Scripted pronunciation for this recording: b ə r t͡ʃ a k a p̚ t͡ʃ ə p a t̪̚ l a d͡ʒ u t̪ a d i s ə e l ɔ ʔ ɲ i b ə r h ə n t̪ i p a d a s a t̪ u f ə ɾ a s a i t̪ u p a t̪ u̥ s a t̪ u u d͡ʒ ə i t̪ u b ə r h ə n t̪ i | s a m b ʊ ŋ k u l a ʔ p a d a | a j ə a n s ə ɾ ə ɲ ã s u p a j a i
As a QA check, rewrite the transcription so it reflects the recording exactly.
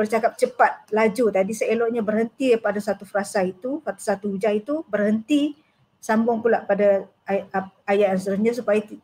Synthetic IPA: b ə r t͡ʃ a k a p̚ t͡ʃ ə p a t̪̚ l a d͡ʒ u t̪ a d i s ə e l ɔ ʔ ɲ a b ə r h ə n t̪ i p a d a s a t̪ u f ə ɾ a s a i t̪ u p a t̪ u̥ s a t̪ u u d͡ʒ a i t̪ u b ə r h ə n t̪ i | s a m b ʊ ŋ k u l a ʔ p a d a | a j a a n s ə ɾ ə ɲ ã s u p a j a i